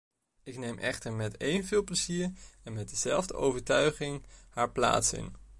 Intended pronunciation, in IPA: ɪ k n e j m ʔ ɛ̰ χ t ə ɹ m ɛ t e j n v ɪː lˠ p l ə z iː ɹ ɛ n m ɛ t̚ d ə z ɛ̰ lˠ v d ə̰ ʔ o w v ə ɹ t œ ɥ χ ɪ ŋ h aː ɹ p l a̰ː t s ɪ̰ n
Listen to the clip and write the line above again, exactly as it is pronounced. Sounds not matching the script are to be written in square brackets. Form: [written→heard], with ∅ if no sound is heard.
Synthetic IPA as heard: ɪ k n e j m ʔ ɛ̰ χ t ə ɹ m ɛ t e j n v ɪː lˠ p l ə z iː ɹ ɛ n m ɛ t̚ d ə z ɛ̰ lˠ v d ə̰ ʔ o w v ə ɹ t œ ɥ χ ɪ ŋ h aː ɹ p l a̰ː t s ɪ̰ n